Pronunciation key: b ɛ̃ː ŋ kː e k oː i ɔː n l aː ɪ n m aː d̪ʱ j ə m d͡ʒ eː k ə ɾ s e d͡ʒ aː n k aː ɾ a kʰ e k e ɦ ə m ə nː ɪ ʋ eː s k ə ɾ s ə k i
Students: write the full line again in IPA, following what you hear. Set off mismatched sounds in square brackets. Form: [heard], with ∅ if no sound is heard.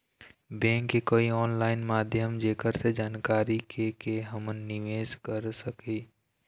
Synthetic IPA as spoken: b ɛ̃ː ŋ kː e k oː i ɔː n l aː ɪ n m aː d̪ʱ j ə m d͡ʒ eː k ə ɾ s e d͡ʒ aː n k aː ɾ [i] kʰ e k e ɦ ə m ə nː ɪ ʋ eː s k ə ɾ s ə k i